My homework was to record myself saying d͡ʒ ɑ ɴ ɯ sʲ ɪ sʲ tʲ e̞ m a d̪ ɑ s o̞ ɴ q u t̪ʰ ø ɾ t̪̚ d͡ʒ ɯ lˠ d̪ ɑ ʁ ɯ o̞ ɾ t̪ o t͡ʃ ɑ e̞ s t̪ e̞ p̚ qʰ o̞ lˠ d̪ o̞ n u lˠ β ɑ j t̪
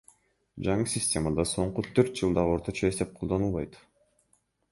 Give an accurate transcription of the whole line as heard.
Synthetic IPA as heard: d͡ʒ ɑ ɴ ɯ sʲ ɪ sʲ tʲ e̞ m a d̪ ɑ s o̞ ɴ q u t̪ʰ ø ɾ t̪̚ d͡ʒ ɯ lˠ d̪ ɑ ʁ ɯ o̞ ɾ t̪ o t͡ʃ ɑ e̞ s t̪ e̞ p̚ qʰ o̞ lˠ d̪ o̞ n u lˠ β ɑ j t̪